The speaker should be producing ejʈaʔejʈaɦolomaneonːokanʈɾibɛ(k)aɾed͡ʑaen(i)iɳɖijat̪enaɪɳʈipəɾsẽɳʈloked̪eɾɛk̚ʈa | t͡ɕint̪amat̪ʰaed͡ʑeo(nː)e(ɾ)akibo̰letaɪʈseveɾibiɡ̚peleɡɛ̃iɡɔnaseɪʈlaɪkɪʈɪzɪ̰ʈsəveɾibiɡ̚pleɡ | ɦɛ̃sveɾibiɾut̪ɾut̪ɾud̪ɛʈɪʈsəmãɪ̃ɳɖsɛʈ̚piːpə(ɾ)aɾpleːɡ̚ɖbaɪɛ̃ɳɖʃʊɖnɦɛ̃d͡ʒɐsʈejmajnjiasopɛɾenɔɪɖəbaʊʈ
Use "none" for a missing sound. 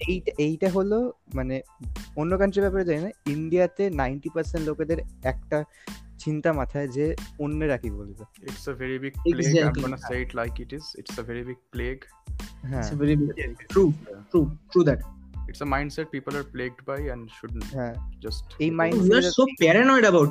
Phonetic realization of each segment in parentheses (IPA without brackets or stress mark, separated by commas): p, a, nː, ɾ, l